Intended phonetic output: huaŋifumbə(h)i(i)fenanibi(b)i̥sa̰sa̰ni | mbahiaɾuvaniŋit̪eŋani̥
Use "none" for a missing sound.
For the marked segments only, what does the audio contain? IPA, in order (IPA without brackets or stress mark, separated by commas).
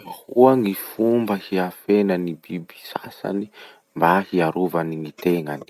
h, a, b